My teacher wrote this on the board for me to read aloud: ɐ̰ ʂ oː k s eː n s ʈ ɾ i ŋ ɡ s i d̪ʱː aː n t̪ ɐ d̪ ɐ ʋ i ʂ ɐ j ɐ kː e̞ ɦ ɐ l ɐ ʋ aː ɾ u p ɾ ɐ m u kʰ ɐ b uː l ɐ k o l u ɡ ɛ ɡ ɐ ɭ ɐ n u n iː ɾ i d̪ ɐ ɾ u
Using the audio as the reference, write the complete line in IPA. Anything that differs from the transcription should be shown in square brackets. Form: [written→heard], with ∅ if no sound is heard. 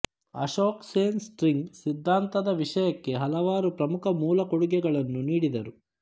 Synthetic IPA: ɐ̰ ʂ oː k s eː n s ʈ ɾ i ŋ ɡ s i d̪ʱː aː n t̪ ɐ d̪ ɐ ʋ i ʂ ɐ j ɐ kː e̞ ɦ ɐ l ɐ ʋ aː ɾ u p ɾ ɐ m u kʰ ɐ [b→m] uː l ɐ k o [l→ɽ] u ɡ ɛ ɡ ɐ ɭ ɐ [n→nː] u n iː [ɾ→ɽ] i d̪ ɐ ɾ u